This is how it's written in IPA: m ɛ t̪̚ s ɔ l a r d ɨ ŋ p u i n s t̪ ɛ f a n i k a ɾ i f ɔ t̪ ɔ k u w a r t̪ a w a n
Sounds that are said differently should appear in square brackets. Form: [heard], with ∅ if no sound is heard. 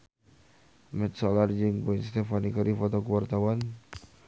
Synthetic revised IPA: m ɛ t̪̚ s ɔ l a r [d͡ʒ] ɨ ŋ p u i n s t̪ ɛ f a n i k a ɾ i f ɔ t̪ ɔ k u w a r t̪ a w a n

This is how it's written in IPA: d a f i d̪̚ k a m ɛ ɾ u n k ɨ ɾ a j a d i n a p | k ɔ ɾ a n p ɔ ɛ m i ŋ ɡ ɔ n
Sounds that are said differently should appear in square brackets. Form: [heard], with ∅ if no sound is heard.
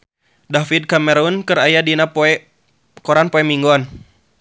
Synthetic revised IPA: d a f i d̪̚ k a m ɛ ɾ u n k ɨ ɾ a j a d i n a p | k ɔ ɾ a n p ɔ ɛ m i ŋ ɡ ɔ n

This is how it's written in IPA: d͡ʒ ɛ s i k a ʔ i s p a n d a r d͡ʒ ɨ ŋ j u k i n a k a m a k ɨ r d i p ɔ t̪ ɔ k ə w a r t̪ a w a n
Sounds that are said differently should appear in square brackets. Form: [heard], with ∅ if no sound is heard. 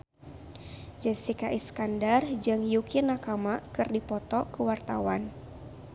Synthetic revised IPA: d͡ʒ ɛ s i k a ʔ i s [k] a n d a r d͡ʒ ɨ ŋ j u k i n a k a m a k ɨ r d i p ɔ t̪ ɔ k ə w a r t̪ a w a n

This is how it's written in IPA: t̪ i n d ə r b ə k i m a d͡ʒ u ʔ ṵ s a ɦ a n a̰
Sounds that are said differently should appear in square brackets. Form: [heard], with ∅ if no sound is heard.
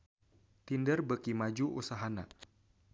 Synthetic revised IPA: t̪ i n d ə r b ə k i m a d͡ʒ u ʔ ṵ s a ɦ a n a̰

